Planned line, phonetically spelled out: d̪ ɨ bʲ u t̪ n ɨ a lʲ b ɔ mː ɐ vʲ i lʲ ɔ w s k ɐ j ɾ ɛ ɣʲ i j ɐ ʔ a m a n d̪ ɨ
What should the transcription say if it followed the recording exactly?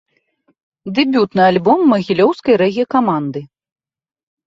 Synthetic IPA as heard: d̪ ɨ bʲ u t̪ n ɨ a lʲ b ɔ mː ɐ ɣʲ i lʲ ɔ w s k ɐ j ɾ ɛ ɣʲ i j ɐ k a m a n d̪ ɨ